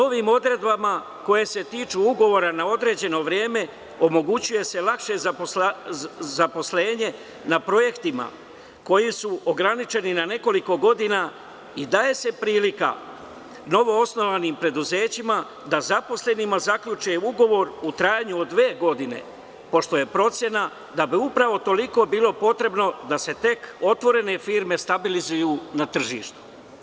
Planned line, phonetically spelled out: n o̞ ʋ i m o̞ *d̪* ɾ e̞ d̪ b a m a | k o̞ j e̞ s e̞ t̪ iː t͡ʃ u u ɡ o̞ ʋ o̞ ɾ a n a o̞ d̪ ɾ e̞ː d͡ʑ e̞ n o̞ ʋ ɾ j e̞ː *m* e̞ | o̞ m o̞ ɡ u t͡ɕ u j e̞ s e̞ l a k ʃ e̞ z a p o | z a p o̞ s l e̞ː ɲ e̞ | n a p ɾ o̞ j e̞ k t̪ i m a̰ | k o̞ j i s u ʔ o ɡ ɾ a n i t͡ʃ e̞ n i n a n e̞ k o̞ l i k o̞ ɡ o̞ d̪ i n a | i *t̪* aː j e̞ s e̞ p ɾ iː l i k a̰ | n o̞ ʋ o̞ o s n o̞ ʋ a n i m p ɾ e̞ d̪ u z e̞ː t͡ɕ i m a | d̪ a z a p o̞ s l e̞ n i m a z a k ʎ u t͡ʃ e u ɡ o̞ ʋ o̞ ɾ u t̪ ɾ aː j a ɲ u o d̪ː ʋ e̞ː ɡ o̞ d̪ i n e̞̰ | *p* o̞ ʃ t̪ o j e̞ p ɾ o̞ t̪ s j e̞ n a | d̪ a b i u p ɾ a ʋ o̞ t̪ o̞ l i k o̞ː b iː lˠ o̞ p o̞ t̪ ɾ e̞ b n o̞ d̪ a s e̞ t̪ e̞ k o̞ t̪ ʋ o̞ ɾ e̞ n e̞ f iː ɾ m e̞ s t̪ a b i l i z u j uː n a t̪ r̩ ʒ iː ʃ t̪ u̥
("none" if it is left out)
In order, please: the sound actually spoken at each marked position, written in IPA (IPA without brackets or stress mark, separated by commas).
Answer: d̪, m, d̪, p